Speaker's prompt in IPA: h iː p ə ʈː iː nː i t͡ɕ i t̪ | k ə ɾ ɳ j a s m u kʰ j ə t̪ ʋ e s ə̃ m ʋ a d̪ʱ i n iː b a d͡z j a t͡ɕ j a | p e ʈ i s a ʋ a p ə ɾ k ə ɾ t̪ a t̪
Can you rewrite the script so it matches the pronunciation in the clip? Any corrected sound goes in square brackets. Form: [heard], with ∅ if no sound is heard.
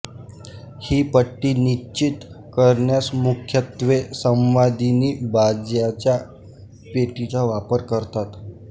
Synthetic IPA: h iː p ə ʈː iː [n] i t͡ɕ i t̪ | k ə ɾ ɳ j a s m u kʰ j ə t̪ ʋ e s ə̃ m ʋ a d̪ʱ i n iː b a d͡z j a t͡ɕ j a | p e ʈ i [t͡s] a ʋ a p ə ɾ k ə ɾ t̪ a t̪